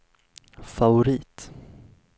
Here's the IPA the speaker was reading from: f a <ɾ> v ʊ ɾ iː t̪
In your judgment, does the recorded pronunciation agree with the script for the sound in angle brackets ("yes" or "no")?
no